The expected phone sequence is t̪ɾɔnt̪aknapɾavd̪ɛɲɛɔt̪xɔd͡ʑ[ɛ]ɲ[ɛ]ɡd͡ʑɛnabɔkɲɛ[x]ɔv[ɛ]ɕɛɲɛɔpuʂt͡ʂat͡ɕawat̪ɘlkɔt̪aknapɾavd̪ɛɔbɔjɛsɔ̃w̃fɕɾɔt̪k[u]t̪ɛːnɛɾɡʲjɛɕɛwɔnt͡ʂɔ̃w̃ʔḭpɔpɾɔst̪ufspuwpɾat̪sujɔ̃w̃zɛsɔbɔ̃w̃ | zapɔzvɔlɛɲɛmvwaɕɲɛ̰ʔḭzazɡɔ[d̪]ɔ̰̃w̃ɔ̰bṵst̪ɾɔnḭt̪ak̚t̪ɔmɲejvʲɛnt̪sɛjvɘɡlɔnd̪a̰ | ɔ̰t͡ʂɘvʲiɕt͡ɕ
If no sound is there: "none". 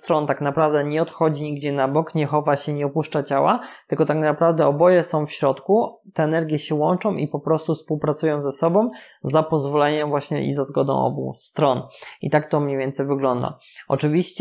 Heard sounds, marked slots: i, i, x, a, u, d̪

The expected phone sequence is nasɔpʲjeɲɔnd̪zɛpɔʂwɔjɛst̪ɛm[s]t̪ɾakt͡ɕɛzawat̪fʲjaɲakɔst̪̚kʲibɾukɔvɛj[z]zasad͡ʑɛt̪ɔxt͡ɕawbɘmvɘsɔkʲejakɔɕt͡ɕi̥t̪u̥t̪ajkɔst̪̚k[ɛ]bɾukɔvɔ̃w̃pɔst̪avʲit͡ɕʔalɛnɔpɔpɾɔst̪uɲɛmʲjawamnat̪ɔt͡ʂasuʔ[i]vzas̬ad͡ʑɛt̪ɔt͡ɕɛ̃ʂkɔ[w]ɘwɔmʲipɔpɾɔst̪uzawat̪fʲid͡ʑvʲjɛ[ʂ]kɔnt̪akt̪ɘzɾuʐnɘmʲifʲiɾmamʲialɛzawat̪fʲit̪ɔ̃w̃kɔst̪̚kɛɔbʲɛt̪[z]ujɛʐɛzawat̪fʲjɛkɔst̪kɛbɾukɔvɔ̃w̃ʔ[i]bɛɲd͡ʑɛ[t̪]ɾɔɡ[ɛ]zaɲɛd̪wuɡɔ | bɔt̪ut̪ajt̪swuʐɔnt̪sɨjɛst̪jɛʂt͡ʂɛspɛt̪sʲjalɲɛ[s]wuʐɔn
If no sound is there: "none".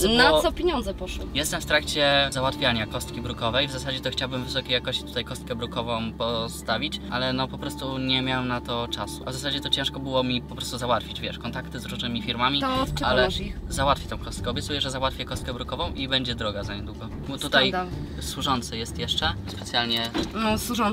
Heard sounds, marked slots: f, v, ɛ, a, b, ʂ, s, i, d̪, a, s

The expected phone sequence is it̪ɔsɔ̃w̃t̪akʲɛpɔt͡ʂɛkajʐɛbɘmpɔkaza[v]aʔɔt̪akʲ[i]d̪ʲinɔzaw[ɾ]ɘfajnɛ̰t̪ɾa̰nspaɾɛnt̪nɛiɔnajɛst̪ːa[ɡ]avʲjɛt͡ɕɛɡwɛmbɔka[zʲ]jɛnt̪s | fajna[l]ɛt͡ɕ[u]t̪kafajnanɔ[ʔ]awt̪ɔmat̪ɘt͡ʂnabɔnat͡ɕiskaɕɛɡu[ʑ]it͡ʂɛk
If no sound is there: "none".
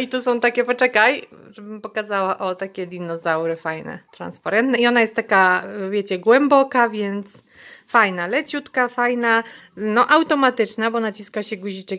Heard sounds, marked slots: w, ɛ, ɾ, k, vʲ, l, u, ʔ, ʑ

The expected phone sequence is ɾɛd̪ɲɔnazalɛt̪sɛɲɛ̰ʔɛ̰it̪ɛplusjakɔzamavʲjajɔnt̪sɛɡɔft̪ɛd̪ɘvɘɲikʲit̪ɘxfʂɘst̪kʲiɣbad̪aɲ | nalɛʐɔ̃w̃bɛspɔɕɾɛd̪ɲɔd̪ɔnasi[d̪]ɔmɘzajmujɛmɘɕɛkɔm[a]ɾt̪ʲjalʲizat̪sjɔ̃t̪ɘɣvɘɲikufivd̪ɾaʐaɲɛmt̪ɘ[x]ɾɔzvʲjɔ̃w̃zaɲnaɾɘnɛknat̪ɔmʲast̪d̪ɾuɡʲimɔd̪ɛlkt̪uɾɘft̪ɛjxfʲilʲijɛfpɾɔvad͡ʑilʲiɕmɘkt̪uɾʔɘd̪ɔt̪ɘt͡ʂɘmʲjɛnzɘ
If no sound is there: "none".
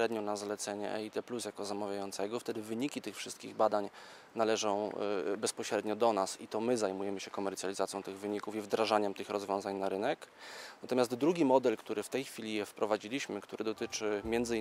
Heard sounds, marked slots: t̪, ɛ, x

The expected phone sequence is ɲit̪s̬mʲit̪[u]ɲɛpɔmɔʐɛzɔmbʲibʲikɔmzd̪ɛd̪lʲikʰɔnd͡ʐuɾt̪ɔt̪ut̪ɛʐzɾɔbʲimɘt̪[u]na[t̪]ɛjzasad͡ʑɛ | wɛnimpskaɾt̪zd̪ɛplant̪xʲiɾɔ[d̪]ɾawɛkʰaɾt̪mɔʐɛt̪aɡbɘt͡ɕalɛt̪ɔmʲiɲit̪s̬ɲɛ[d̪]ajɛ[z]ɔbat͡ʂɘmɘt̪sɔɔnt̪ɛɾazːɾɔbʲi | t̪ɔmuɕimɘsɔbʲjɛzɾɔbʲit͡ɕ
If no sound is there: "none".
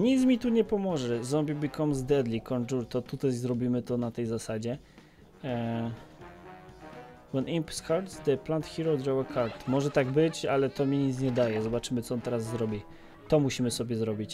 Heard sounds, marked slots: u, ɔ, t̪, d̪, d̪, z

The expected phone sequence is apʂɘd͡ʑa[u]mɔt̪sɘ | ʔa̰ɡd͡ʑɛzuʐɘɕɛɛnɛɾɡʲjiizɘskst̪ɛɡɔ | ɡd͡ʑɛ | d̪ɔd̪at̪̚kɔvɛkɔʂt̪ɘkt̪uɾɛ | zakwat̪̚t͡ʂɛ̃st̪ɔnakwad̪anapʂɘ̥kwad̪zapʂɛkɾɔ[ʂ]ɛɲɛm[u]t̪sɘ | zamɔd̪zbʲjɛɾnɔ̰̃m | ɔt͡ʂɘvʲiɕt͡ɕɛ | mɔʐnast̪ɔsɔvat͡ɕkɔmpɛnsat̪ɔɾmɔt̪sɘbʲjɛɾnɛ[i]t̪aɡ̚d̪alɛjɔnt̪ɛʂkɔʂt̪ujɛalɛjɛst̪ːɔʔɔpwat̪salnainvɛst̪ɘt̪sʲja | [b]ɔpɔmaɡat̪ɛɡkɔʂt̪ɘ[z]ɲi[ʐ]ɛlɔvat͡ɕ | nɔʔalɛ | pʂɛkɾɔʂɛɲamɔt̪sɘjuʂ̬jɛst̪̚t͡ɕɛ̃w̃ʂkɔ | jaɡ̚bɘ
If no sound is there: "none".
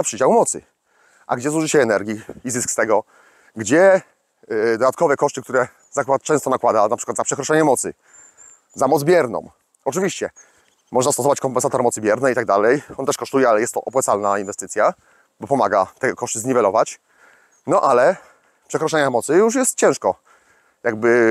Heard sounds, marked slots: w, ʂ, ɔ, i, b, z, v

